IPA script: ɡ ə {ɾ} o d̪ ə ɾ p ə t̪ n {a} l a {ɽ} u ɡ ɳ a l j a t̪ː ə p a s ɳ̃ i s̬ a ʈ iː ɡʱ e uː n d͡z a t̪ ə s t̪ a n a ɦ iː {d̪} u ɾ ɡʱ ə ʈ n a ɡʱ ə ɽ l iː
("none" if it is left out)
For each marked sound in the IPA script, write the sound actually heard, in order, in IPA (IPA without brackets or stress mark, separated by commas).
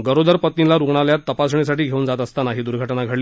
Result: ɾ, i, ɾ, d̪